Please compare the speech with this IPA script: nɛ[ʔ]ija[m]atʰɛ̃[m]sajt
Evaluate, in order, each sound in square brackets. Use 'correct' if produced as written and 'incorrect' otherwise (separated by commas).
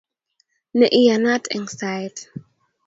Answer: correct, incorrect, incorrect